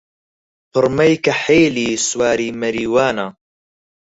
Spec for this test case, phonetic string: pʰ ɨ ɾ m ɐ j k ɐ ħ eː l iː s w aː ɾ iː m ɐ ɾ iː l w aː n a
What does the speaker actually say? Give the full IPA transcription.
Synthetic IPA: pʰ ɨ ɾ m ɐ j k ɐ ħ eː l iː s w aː ɾ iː m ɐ ɾ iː w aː n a